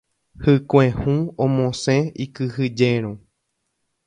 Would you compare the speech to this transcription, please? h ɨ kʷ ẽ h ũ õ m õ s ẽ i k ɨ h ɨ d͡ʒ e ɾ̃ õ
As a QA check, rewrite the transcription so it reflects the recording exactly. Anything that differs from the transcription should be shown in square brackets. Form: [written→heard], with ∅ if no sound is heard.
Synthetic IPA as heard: h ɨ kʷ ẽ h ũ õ m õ s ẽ i k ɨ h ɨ d͡ʒ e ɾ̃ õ